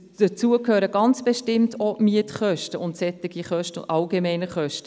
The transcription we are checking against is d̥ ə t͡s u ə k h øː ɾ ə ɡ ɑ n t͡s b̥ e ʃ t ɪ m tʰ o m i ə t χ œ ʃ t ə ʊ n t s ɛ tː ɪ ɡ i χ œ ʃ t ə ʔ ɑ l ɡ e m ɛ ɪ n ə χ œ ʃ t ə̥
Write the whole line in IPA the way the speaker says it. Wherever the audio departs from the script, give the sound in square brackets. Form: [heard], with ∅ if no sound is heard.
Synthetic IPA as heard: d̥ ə t͡s u ə k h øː ɾ ə ɡ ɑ n t͡s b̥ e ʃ t ɪ m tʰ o m i ə t χ œ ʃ t ə ʊ n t s ɛ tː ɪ ɡ i χ œ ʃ t ə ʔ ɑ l ɡ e m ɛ ɪ n ə χ œ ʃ t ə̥